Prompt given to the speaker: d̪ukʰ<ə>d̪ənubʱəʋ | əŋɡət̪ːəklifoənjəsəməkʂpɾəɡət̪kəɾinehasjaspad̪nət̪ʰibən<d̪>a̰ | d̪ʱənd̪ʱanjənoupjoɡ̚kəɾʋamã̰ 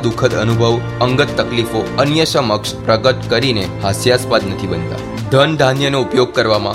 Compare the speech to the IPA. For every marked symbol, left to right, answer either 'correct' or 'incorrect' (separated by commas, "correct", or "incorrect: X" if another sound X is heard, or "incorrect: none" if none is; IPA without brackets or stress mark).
correct, incorrect: t̪